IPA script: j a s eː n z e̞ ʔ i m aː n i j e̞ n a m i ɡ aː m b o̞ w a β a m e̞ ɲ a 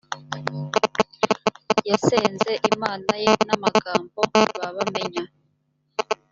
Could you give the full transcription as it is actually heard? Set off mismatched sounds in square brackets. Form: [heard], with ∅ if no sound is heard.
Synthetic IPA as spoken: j a s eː n z e̞ ʔ i m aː n [a] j e̞ n a m [a] ɡ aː m b o̞ [β] a β a m e̞ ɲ a